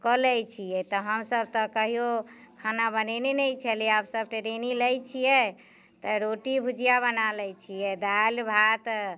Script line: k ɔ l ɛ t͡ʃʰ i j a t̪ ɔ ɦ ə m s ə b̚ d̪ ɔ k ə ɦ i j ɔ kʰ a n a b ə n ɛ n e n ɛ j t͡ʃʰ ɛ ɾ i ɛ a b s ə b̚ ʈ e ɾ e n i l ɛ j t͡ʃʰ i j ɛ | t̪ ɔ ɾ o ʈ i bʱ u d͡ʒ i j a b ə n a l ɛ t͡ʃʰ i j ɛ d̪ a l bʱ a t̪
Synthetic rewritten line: k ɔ l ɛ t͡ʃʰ i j ɛ t̪ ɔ ɦ ə m s ə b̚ t̪ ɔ k ə ɦ i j o kʰ a n a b ə n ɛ n e n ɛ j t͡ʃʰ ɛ l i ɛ a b s ə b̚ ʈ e ɾ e n i l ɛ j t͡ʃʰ i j ɛ | t̪ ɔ ɾ o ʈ i bʱ u d͡ʒ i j a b ə n a l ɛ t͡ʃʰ i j ɛ d̪ a l bʱ a t̪